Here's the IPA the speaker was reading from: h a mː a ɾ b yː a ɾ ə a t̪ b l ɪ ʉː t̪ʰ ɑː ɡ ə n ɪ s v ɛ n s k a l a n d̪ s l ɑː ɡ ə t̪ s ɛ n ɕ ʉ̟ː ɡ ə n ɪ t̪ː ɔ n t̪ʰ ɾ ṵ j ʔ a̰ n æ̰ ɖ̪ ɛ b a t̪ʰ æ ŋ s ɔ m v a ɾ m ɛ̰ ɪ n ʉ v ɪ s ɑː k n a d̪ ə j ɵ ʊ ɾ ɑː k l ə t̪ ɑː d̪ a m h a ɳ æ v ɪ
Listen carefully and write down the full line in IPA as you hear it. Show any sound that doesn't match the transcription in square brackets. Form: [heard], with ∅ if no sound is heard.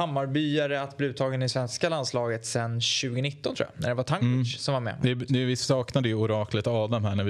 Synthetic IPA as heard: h a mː a ɾ b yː a ɾ ə a t̪ b l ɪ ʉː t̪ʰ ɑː ɡ ə n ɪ s v ɛ n s k a l a n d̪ s l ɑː ɡ ə t̪ s ɛ n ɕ ʉ̟ː ɡ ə n ɪ t̪ː ɔ n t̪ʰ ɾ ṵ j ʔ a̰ n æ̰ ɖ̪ ɛ [v] a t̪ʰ [a] ŋ s ɔ m v a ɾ m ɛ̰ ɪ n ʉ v ɪ s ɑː k n a d̪ ə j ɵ ʊ ɾ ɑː k l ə t̪ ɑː d̪ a m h [æ] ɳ æ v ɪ